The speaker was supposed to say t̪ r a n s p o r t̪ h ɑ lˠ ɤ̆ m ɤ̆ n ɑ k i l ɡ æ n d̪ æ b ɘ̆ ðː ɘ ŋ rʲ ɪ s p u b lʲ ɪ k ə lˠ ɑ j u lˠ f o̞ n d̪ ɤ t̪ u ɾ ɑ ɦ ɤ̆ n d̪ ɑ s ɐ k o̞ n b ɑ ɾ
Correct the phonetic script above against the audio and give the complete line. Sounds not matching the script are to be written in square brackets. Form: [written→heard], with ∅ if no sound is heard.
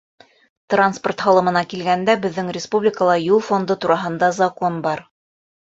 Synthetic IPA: t̪ r a n s p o r t̪ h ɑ lˠ ɤ̆ m ɤ̆ n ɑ k i l ɡ æ n d̪ æ b ɘ̆ ðː ɘ ŋ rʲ ɪ s p u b lʲ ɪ k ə lˠ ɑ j u lˠ f o̞ n d̪ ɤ t̪ u ɾ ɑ ɦ ɤ̆ n d̪ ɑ [s→z] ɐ k o̞ n b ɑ ɾ